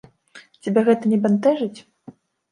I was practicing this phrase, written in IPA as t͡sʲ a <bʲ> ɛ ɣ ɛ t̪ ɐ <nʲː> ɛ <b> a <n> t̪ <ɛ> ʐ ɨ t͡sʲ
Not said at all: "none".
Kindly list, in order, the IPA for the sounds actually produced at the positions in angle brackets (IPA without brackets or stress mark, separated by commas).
bʲ, nʲ, b, n, ɛ